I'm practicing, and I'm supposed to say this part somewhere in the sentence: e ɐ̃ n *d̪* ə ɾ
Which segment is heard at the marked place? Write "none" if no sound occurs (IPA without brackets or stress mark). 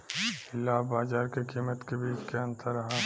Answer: t̪